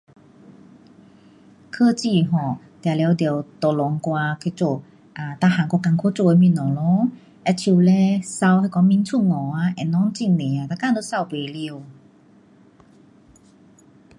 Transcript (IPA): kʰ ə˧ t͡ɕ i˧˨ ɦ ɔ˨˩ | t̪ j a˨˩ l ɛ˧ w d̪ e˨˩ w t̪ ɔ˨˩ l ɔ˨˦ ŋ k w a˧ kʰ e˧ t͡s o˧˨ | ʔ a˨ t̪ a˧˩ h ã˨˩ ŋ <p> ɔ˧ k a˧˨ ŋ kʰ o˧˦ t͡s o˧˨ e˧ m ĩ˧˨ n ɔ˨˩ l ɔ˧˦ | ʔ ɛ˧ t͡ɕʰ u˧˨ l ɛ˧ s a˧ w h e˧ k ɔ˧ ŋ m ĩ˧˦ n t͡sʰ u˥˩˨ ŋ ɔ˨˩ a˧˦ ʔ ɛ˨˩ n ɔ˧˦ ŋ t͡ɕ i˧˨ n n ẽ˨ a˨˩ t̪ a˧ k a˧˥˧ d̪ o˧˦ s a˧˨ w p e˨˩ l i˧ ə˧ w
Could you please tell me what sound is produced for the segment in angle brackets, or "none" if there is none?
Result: k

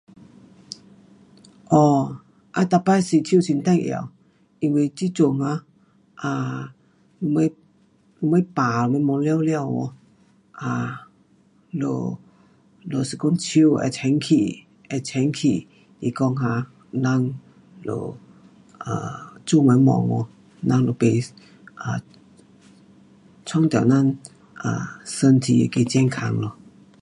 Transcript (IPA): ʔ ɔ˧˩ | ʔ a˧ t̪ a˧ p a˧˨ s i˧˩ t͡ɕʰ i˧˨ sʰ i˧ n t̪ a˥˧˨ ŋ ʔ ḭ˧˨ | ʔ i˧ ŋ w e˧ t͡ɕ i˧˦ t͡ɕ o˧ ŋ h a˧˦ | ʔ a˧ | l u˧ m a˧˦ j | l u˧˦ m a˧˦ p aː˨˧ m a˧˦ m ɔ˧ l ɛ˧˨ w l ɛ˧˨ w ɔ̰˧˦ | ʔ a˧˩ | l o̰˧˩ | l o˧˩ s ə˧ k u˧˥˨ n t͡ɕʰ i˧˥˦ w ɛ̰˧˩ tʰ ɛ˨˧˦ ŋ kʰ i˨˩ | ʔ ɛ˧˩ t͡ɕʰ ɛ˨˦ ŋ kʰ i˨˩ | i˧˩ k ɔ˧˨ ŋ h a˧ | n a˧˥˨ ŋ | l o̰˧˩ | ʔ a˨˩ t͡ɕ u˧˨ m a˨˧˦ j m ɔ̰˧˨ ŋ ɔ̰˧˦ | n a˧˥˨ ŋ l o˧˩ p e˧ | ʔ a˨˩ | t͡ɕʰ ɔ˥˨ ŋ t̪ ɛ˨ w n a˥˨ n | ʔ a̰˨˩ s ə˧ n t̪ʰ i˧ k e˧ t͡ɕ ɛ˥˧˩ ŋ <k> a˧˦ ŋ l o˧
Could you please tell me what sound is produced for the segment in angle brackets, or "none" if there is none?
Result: kʰ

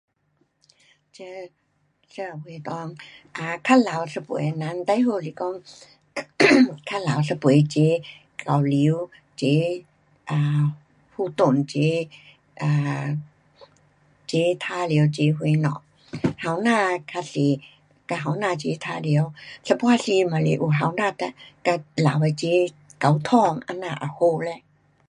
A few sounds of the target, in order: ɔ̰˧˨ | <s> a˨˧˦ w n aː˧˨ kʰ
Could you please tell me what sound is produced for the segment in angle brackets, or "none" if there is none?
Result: h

